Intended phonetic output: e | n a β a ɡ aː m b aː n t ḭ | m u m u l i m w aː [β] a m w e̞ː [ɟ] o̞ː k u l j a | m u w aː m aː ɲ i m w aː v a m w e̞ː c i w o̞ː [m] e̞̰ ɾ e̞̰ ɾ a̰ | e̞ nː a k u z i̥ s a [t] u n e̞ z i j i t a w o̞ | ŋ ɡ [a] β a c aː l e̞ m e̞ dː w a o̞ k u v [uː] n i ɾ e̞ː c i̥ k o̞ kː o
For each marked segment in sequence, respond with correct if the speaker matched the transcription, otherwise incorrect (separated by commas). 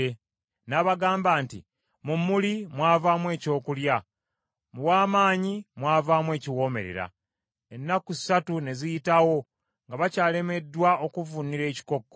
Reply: incorrect, incorrect, correct, correct, correct, incorrect